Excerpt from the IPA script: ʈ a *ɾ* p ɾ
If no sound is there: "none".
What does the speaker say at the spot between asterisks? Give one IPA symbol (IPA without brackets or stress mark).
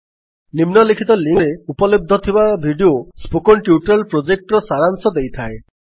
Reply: l